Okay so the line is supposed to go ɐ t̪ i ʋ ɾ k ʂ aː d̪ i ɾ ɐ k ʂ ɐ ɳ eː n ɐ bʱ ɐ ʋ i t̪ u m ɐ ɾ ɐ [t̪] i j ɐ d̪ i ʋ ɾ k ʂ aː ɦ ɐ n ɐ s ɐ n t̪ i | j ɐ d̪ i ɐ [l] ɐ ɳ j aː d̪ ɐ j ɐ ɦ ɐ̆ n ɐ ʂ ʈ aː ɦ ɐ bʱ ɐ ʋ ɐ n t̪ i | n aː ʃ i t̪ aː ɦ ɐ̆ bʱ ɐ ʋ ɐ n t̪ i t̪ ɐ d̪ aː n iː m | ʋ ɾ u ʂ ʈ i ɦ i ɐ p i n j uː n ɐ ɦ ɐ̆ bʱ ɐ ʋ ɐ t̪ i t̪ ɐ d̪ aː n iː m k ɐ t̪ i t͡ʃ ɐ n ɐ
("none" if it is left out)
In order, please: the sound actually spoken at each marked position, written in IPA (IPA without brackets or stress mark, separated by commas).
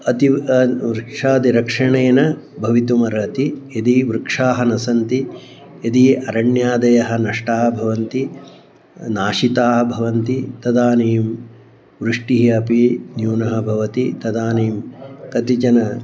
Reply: t̪, ɾ